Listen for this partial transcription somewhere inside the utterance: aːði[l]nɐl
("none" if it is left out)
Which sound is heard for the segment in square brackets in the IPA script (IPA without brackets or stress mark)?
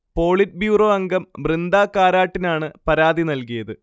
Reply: none